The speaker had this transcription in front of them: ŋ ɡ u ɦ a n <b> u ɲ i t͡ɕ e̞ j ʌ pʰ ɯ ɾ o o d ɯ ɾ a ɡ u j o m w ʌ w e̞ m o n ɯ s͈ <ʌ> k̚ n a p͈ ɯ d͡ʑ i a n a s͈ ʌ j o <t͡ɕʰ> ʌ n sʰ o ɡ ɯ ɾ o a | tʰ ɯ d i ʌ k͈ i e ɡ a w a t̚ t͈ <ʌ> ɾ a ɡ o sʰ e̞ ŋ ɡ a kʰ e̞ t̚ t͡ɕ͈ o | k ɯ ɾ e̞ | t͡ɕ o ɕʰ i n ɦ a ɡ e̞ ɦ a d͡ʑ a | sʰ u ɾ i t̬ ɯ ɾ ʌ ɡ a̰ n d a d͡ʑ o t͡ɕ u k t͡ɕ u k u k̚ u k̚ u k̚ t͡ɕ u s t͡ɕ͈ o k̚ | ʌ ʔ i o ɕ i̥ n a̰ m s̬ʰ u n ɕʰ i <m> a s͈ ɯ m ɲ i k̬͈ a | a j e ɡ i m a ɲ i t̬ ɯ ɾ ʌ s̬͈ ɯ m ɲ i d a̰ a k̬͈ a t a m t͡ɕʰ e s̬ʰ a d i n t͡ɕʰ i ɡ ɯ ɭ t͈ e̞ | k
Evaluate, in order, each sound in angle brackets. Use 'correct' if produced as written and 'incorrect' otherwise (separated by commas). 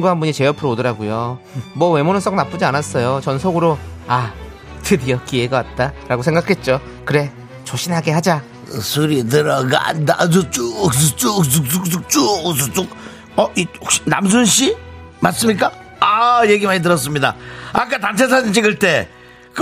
correct, correct, incorrect, incorrect, correct